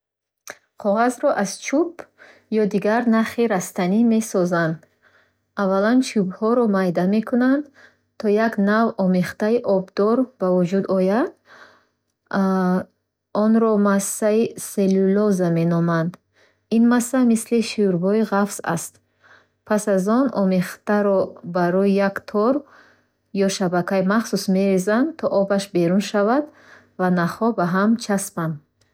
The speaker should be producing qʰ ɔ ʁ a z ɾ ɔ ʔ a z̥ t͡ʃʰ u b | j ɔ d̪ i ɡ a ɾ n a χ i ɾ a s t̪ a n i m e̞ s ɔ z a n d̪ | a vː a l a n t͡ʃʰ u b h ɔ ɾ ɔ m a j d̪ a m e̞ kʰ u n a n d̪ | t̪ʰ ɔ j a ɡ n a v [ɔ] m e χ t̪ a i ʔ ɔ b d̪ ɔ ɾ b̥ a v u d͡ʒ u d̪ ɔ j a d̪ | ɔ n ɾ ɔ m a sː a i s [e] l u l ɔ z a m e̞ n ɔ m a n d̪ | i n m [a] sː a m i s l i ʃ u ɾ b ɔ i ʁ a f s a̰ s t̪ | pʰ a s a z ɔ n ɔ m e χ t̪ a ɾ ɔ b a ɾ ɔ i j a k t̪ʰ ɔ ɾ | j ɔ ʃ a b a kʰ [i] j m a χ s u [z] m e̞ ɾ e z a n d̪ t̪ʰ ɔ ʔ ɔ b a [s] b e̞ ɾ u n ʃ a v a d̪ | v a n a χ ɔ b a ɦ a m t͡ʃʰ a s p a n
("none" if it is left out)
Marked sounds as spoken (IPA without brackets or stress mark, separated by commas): ɔ, e, a, a, s, ʃ